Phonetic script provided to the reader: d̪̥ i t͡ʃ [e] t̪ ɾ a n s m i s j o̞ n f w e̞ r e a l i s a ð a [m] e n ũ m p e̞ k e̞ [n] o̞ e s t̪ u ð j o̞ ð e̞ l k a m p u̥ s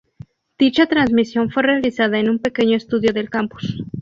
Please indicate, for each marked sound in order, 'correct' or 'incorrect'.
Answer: incorrect, incorrect, incorrect

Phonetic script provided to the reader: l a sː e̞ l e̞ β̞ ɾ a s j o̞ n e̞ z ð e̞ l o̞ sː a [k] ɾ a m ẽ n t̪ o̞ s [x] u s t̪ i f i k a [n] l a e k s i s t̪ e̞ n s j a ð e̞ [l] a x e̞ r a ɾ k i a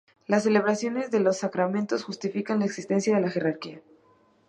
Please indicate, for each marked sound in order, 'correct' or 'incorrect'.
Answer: correct, correct, correct, correct

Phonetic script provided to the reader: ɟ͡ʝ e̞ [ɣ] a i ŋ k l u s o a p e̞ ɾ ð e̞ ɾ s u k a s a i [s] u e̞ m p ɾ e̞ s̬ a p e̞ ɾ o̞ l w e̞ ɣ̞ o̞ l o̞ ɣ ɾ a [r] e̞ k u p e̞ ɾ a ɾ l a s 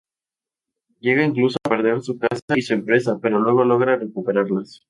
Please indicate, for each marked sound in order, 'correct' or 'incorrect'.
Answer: correct, correct, correct

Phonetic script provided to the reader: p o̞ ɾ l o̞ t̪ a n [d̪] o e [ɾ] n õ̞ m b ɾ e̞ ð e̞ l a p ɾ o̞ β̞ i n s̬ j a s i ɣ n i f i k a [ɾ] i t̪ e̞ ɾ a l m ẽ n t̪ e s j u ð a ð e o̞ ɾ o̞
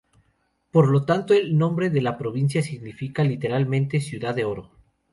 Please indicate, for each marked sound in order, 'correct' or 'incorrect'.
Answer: incorrect, incorrect, incorrect

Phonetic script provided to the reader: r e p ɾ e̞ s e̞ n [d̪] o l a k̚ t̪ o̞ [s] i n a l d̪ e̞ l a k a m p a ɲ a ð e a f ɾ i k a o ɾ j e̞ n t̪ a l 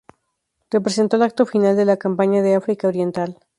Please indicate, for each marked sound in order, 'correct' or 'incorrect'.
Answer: incorrect, incorrect

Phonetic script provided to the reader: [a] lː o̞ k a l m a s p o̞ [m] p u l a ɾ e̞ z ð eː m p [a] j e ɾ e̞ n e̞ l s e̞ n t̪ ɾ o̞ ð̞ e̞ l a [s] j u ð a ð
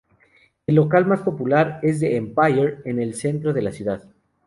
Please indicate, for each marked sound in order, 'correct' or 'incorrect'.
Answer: incorrect, incorrect, correct, correct

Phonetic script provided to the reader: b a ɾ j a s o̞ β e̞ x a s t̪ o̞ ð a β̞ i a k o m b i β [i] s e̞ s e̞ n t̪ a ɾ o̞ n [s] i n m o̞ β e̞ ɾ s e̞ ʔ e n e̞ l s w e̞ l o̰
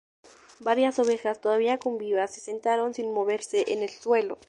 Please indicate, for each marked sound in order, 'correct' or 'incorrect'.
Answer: incorrect, correct

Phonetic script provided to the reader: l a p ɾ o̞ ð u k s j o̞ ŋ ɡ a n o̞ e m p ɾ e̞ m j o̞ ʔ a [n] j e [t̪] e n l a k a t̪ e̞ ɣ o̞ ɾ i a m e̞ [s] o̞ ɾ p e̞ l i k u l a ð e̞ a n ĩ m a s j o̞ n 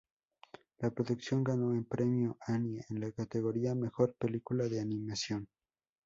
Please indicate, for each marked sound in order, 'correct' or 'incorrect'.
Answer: correct, incorrect, incorrect

